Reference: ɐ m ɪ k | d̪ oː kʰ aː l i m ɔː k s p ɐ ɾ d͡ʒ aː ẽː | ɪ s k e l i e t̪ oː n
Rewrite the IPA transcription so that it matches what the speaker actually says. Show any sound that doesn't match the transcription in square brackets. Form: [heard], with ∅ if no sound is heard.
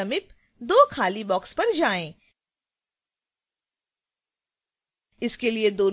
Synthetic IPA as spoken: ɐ m ɪ [p] | d̪ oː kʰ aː l i [b] ɔː k s p ɐ ɾ d͡ʒ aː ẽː | ɪ s k e l i e [d̪] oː n